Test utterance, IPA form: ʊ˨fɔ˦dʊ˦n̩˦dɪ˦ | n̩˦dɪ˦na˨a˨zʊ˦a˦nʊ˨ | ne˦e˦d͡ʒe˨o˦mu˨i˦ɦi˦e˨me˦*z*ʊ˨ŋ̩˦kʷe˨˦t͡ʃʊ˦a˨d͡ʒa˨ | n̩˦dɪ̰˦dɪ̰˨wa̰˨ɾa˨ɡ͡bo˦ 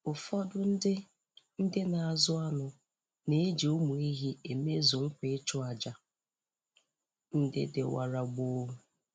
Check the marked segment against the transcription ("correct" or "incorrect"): correct